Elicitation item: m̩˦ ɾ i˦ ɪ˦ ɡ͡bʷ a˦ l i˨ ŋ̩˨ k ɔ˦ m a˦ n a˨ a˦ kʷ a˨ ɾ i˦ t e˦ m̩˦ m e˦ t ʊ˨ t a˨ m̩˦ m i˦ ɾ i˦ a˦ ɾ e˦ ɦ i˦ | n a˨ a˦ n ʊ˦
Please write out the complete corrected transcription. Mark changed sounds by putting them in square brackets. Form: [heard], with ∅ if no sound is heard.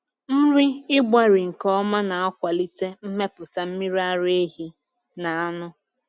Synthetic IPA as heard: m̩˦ ɾ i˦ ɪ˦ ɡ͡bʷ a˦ [ɾ] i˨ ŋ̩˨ k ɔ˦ m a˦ n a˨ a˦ kʷ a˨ [l] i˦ t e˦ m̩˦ m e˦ [p] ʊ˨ t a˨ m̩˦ m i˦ ɾ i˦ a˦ ɾ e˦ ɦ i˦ | n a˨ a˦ n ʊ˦

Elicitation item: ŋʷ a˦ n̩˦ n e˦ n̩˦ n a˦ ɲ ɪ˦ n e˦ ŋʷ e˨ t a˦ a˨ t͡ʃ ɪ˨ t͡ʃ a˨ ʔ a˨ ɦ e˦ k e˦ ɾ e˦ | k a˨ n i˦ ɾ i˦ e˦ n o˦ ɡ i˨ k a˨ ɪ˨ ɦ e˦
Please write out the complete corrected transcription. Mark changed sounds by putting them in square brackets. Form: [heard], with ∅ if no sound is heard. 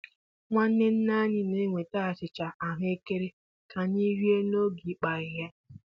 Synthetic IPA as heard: ŋʷ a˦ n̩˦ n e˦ n̩˦ n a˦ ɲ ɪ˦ n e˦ ŋʷ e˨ t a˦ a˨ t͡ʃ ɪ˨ t͡ʃ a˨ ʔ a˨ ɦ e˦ k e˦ ɾ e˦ | k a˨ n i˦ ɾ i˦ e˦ n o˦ ɡ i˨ [k͡p] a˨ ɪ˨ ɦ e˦

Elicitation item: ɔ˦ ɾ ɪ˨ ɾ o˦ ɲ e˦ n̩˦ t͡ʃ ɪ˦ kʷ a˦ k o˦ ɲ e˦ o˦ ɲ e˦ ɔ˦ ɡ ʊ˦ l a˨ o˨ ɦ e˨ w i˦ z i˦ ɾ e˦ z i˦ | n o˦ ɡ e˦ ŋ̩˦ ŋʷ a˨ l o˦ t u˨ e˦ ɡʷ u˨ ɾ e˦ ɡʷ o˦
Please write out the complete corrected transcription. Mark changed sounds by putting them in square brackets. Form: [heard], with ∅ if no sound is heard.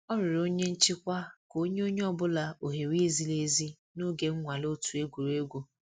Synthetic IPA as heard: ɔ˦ ɾ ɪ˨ ɾ o˦ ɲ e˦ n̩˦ t͡ʃ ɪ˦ kʷ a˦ k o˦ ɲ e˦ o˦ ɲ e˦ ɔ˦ [b] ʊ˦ l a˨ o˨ ɦ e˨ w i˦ z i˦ [l] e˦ z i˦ | n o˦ ɡ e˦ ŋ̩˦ ŋʷ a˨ l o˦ t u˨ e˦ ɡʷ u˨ ɾ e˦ ɡʷ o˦

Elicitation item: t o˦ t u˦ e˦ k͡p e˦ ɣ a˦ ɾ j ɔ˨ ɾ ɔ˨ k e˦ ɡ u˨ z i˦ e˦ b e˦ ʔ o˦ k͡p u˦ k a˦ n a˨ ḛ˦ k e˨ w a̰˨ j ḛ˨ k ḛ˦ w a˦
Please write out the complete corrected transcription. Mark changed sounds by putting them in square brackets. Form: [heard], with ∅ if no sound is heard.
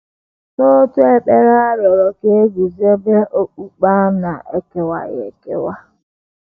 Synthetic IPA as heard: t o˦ t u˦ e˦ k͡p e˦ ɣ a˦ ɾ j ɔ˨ ɾ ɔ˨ k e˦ ɡ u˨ z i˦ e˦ b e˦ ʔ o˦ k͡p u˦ [k͡p] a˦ n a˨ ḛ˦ k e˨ w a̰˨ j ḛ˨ k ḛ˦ w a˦

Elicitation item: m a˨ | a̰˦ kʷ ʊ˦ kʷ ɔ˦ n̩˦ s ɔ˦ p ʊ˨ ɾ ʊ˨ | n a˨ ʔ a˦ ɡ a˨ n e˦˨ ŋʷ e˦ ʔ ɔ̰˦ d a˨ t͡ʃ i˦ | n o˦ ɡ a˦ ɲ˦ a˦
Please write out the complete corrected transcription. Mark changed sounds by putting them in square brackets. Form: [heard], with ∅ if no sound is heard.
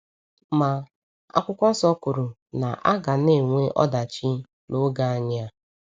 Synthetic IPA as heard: m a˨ | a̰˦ kʷ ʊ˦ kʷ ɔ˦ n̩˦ s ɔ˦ [k] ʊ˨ ɾ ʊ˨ | n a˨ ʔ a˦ ɡ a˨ n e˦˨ ŋʷ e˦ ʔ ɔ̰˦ d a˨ t͡ʃ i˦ | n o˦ ɡ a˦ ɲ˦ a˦

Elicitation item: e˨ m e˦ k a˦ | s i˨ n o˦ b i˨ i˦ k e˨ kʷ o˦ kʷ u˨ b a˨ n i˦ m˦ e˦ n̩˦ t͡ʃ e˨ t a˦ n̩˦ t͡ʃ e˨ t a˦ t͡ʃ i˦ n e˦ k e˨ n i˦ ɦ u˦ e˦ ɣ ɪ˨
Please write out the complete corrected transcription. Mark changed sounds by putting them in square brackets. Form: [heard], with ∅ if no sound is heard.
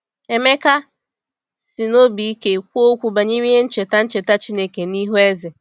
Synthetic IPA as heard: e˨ m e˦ k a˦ | s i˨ n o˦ b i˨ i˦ k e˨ kʷ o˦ kʷ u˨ b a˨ [ɲ] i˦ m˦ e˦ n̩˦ t͡ʃ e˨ t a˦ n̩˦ t͡ʃ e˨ t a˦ t͡ʃ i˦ n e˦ k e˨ n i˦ ɦ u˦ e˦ [z] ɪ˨

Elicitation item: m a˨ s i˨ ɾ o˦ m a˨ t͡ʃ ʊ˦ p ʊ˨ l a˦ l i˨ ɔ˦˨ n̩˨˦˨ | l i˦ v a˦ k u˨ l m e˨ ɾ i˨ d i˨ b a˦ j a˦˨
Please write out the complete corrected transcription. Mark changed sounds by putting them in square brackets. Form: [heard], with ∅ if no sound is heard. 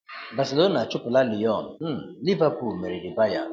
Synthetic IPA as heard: [b] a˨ s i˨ [l] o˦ [n] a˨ t͡ʃ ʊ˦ p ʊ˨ l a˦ l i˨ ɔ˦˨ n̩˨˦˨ | l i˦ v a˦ [p] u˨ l m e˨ ɾ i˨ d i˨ b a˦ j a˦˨

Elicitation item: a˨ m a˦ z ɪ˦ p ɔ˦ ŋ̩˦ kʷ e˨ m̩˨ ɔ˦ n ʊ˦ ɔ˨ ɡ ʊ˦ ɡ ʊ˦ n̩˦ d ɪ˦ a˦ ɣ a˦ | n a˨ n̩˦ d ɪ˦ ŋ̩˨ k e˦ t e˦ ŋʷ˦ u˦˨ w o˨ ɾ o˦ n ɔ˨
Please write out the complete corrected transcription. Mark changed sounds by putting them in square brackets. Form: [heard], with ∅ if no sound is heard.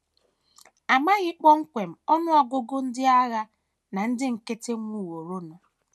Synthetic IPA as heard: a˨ m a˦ [ɣ] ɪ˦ [k͡p] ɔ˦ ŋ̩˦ kʷ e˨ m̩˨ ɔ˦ n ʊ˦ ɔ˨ ɡ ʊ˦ ɡ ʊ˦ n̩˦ d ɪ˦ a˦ ɣ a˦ | n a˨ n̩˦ d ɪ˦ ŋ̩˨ k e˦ t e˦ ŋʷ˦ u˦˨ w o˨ ɾ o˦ n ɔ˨

